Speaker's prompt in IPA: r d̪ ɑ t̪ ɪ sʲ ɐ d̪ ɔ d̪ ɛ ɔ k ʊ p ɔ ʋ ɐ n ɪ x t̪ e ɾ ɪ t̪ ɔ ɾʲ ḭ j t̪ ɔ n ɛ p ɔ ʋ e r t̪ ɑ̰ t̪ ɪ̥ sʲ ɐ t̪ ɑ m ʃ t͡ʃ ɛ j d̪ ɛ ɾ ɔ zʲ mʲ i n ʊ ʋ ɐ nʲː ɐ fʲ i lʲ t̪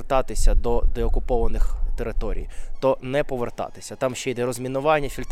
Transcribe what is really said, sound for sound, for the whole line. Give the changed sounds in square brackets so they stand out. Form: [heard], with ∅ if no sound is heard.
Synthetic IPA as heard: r [t̪] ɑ t̪ ɪ sʲ ɐ d̪ ɔ d̪ ɛ ɔ k ʊ p ɔ ʋ ɐ n ɪ x t̪ e ɾ ɪ t̪ ɔ ɾʲ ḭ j t̪ ɔ n ɛ p ɔ ʋ e r t̪ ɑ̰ t̪ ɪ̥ sʲ ɐ t̪ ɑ m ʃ t͡ʃ ɛ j d̪ ɛ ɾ ɔ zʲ mʲ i n ʊ ʋ [ɑ] nʲː ɐ fʲ i lʲ t̪